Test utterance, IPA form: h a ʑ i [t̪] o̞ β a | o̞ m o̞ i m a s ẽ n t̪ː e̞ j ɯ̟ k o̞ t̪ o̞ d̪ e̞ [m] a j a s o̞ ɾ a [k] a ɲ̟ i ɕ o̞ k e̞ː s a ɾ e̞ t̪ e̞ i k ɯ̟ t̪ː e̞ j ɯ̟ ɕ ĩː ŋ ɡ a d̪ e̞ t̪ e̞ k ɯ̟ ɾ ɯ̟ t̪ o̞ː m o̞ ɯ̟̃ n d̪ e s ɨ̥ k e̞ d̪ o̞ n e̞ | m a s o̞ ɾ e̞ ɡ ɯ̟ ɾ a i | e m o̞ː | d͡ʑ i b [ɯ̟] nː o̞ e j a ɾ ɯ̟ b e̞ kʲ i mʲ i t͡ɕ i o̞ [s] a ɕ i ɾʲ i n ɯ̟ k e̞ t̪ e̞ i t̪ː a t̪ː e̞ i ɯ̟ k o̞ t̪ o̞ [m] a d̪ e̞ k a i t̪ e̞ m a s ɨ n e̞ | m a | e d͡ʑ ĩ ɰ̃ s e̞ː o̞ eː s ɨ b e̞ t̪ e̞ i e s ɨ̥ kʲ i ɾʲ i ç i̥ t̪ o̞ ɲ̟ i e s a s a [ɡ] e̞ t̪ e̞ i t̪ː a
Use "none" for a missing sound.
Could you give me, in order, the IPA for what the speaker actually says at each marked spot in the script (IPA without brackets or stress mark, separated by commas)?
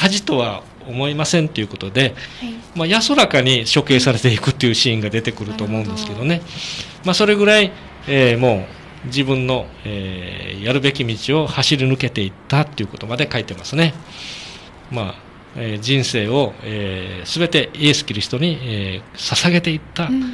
t̪, m, k, ɯ̟̃, h, m, ɡ